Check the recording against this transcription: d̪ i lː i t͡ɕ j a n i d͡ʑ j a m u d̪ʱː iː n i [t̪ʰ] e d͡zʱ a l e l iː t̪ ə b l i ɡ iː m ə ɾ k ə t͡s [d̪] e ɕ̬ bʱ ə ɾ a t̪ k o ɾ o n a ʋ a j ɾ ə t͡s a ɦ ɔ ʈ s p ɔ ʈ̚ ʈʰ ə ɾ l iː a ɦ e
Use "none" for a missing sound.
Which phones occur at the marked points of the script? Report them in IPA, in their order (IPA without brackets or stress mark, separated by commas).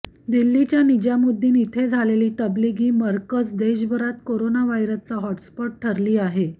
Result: t̪ʰ, d̪